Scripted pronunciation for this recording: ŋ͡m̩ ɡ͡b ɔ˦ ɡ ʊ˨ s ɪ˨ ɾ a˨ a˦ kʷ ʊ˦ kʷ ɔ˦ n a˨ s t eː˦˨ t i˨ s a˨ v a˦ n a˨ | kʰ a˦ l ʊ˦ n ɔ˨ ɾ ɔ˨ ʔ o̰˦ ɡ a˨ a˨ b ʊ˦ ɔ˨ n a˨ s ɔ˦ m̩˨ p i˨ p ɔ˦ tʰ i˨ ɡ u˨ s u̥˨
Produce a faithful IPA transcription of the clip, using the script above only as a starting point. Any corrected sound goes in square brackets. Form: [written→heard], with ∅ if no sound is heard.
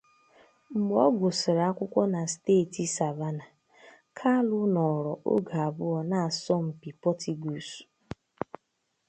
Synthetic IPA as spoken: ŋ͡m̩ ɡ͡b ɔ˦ ɡ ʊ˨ s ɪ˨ ɾ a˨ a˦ kʷ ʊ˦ kʷ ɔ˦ n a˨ s t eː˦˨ t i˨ s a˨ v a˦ n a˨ | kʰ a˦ l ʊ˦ n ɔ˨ ɾ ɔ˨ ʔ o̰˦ ɡ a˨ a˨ b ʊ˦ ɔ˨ n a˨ s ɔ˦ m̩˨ p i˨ p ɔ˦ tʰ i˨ ɡ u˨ s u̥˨